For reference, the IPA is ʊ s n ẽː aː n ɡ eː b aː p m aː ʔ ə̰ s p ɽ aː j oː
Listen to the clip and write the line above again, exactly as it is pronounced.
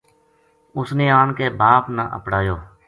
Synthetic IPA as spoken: ʊ s n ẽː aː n k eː b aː p n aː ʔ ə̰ p ɽ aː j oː